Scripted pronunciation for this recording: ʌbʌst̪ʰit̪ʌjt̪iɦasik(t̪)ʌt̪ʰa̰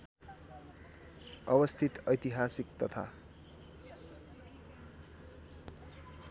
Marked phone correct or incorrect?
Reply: correct